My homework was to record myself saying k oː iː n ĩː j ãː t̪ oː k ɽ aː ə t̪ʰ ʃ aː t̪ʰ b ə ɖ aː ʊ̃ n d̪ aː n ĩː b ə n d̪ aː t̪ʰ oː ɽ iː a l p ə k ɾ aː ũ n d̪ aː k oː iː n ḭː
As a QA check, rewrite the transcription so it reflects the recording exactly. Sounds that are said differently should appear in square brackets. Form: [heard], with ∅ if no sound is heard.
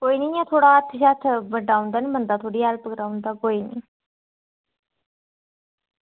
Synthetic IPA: k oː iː n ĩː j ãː [t̪ʰ] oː [∅] ɽ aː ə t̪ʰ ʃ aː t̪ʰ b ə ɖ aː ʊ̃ n d̪ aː n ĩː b ə n d̪ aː t̪ʰ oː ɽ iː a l p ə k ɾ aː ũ n d̪ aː k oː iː n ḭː